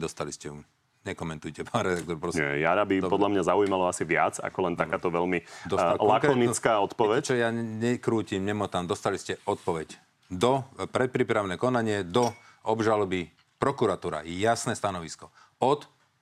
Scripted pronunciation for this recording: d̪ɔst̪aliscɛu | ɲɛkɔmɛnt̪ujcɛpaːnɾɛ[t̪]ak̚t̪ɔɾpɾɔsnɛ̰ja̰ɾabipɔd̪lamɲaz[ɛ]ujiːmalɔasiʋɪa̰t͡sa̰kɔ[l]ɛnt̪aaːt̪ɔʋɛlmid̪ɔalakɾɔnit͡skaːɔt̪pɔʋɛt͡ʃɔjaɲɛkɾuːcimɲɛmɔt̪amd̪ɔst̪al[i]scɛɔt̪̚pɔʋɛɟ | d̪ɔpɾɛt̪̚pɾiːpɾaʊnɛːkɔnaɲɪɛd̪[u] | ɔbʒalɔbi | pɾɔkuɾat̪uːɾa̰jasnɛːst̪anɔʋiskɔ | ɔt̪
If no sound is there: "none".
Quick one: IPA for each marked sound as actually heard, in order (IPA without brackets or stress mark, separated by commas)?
d̪, a, l, i, ɔ